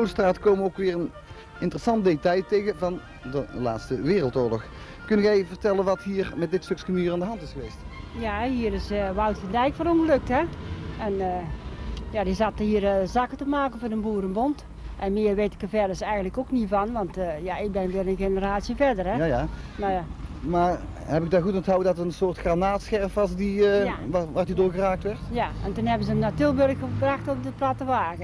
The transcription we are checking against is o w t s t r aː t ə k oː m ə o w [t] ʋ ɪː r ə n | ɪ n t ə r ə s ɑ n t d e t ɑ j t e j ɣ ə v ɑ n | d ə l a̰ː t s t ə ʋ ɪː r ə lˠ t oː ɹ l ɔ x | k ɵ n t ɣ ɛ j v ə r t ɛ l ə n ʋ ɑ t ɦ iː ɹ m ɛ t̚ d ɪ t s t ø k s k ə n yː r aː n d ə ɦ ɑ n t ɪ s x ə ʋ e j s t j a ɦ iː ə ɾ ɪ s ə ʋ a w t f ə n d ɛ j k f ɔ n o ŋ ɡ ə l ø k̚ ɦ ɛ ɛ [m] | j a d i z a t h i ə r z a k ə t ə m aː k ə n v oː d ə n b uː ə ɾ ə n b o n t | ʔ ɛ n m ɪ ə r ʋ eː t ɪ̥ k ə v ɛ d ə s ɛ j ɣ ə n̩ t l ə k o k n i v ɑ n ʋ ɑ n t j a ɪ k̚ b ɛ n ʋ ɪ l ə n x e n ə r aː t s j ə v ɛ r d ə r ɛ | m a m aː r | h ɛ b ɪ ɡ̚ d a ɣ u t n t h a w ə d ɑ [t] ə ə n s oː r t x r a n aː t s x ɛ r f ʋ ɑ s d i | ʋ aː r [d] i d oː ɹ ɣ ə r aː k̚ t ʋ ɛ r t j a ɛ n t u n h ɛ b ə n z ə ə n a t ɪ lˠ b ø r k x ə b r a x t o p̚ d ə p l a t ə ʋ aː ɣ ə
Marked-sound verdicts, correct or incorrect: incorrect: k, incorrect: n, correct, correct

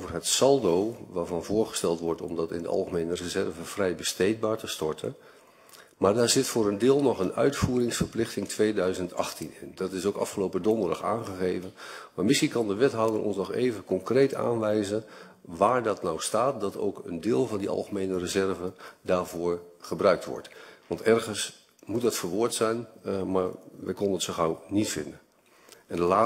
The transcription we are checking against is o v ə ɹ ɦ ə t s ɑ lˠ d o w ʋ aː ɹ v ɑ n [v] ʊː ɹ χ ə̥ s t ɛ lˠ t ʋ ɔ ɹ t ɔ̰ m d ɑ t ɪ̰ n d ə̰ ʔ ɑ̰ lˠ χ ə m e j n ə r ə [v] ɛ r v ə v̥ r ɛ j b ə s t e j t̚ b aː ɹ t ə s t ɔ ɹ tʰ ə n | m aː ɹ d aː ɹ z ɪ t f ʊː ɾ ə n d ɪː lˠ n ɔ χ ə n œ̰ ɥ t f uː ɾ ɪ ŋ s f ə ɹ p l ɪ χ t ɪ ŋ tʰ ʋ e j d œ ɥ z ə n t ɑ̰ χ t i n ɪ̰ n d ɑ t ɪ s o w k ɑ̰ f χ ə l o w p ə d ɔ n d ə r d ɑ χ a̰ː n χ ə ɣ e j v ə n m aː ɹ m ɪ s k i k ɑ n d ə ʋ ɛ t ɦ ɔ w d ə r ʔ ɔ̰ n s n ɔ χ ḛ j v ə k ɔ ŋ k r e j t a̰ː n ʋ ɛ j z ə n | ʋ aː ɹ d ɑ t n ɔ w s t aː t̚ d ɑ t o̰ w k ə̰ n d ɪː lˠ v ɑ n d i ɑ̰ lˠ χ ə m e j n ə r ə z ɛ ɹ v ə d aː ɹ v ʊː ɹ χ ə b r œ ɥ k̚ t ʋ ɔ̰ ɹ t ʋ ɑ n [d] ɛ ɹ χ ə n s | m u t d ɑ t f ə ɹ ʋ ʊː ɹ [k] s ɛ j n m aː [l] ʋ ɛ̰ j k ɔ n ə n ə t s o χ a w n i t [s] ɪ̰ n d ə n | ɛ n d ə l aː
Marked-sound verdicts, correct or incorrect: correct, incorrect: z, incorrect: t, incorrect: t, incorrect: ɹ, incorrect: f

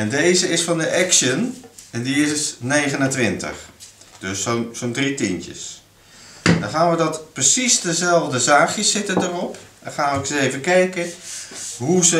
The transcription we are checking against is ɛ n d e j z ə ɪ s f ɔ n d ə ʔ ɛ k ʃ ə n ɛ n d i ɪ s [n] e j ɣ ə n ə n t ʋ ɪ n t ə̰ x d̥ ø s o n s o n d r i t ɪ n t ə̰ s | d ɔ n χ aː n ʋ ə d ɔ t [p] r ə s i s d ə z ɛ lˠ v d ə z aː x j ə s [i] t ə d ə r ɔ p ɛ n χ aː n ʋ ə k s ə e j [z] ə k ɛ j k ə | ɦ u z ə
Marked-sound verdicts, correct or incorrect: correct, correct, incorrect: ɪ, incorrect: v

